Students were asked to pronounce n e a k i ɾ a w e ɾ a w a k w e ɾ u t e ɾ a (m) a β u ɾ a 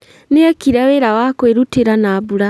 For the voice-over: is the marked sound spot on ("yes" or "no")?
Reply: no